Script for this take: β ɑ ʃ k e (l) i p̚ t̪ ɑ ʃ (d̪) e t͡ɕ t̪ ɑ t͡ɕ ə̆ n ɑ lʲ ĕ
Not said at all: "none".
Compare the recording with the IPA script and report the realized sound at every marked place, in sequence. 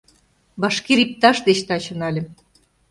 ɾ, d̪

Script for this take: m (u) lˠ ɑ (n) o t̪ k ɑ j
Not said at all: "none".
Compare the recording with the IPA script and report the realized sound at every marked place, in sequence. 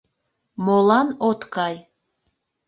o, n

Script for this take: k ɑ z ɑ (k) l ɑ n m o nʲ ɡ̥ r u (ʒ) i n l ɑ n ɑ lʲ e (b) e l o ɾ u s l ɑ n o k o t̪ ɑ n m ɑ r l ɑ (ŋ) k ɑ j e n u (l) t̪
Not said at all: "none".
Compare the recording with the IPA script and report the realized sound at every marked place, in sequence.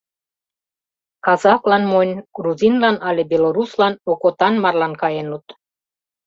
k, z, b, n, none

